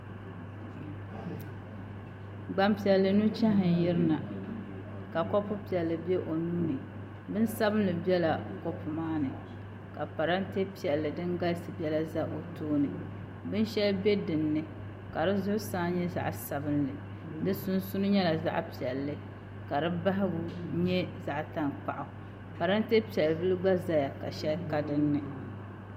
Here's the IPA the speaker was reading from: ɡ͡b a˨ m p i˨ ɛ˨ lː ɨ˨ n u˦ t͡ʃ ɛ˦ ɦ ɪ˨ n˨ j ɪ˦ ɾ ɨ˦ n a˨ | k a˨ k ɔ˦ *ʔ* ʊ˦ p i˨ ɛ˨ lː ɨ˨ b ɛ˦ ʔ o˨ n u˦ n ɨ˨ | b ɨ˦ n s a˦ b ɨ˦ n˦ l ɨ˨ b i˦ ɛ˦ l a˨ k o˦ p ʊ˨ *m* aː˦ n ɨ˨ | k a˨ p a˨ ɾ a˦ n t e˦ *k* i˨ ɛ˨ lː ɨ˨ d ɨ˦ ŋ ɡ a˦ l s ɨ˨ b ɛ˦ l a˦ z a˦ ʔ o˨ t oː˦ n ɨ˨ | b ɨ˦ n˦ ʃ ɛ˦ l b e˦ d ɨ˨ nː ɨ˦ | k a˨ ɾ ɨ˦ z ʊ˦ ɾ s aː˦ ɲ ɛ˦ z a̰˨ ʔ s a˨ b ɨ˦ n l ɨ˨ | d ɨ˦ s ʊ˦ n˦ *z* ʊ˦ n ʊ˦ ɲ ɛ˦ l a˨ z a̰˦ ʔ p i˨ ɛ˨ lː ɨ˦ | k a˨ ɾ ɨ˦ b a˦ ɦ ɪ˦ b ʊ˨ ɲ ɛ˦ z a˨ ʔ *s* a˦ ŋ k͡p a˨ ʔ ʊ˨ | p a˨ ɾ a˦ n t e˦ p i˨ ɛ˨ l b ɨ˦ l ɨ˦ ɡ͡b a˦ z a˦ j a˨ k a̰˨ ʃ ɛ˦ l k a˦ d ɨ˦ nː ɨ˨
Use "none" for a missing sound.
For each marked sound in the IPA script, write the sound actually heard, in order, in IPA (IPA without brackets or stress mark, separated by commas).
p, m, p, s, t